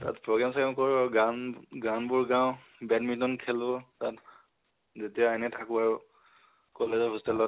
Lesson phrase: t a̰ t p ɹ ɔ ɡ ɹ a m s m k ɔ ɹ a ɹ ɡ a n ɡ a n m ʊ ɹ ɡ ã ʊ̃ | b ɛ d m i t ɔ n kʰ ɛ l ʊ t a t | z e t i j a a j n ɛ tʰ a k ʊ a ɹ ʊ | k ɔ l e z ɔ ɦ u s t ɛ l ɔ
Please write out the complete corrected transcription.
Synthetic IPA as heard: t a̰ t p ɹ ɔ ɡ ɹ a m s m k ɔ ɹ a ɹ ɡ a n ɡ a n b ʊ ɹ ɡ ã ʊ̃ | b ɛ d m i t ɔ n kʰ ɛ l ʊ t a t | z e t i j a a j n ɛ tʰ a k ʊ a ɹ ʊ | k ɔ l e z ɔ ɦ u s t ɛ l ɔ